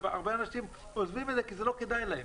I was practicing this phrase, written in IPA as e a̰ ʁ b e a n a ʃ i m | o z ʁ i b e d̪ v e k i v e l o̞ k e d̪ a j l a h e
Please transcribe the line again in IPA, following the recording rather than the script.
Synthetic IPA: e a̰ ʁ b e a n a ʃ i m | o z v i m e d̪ z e k i z e l o̞ k e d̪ a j l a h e